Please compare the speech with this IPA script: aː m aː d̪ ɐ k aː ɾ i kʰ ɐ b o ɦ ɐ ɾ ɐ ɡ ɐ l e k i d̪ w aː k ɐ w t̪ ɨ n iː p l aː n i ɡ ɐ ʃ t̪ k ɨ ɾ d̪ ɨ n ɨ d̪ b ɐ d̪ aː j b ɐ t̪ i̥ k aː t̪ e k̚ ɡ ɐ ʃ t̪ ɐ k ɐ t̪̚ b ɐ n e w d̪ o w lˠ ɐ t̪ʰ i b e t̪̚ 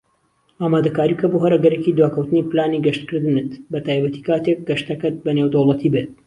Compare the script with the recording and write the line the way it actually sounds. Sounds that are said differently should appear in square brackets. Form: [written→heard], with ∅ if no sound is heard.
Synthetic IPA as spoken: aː m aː d̪ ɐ k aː ɾ i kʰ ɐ b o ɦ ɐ ɾ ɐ ɡ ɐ [l→ɾ] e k i d̪ w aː k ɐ w t̪ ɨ n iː p l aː n i ɡ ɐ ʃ t̪ k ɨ ɾ d̪ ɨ n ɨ [d̪→t̪] b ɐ [d̪→t̪] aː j b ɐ t̪ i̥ k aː t̪ e k̚ ɡ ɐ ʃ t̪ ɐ k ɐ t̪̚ b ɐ n e w d̪ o w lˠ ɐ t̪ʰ i b e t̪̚